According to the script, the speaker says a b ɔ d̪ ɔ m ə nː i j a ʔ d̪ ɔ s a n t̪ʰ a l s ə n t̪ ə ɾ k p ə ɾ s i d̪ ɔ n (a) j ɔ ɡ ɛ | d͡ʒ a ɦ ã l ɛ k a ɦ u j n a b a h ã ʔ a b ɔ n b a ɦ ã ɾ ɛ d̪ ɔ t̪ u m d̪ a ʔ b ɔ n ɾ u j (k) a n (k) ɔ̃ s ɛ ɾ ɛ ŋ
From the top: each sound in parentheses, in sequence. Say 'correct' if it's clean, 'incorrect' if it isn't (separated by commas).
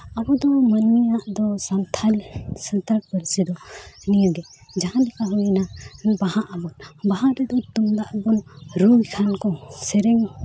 incorrect, incorrect, correct